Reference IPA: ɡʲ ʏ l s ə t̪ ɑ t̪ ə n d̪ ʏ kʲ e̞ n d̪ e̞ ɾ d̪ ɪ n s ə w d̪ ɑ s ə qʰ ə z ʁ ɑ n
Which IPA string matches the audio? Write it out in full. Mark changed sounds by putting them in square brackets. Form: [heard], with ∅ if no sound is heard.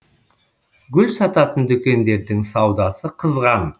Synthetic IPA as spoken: ɡʲ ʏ l s [ɑ] t̪ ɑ t̪ ə n d̪ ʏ kʲ e̞ n d̪ e̞ ɾ d̪ ɪ [ŋ] s [ɑ] w d̪ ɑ s ə qʰ ə z ʁ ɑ n